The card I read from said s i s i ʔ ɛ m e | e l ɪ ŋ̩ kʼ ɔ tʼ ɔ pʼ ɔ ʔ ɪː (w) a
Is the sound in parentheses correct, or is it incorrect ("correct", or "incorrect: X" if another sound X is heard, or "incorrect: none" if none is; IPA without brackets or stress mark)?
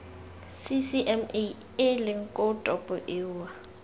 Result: correct